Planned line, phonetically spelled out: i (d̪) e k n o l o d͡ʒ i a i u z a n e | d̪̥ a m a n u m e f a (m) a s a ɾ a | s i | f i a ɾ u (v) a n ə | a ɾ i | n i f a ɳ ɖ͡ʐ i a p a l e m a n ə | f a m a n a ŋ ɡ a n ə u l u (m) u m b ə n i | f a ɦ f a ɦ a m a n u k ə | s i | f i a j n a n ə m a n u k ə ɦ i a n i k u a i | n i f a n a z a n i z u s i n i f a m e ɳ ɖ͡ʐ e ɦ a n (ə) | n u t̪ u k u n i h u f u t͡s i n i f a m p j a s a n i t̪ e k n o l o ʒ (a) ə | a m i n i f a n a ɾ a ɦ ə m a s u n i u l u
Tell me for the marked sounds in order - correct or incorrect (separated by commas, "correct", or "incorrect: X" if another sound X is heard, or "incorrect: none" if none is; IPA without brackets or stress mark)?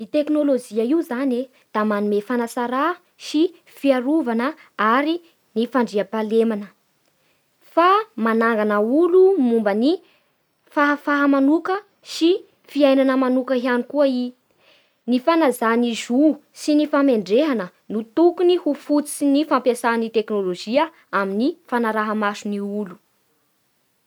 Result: incorrect: t̪, incorrect: n, correct, correct, correct, incorrect: i